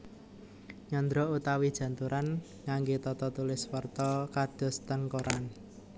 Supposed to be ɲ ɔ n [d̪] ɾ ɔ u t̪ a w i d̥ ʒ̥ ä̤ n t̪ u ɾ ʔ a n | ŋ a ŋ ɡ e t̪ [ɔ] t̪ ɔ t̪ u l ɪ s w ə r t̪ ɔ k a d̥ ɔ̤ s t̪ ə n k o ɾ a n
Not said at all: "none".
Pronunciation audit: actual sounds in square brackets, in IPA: d̪, ɔ

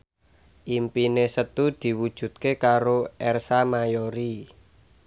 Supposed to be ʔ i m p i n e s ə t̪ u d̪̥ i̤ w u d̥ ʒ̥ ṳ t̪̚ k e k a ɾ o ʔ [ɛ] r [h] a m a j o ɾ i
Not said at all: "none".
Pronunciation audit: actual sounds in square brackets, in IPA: ɛ, s

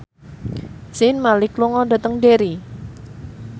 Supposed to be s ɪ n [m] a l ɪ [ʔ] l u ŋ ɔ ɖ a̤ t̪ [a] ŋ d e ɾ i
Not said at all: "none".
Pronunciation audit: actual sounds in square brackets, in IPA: m, k, ə

